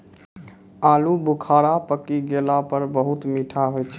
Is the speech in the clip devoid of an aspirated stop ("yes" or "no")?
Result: no